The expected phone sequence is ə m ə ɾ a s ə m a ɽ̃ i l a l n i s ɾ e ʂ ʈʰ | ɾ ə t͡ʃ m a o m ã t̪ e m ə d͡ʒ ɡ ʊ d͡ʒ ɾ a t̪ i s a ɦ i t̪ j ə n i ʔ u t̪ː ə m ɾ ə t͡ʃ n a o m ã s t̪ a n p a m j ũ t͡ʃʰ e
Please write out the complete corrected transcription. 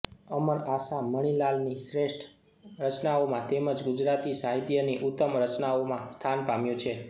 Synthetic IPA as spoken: ə m ə ɾ a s a m ə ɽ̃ i l a l n i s ɾ e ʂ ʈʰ | ɾ ə t͡ʃ n a o m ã t̪ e m ə d͡ʒ ɡ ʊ d͡ʒ ɾ a t̪ i s a ɦ i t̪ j ə n i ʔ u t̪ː ə m ɾ ə t͡ʃ n a o m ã s t̪ʰ a n p a m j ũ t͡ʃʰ e